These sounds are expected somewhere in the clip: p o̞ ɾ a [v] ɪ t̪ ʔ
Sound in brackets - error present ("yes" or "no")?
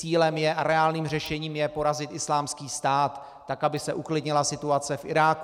yes